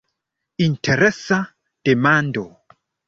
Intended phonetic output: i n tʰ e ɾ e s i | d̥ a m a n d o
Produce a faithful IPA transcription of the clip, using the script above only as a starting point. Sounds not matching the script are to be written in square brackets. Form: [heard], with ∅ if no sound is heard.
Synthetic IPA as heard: i n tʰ e ɾ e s [a] | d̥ [e] m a n d o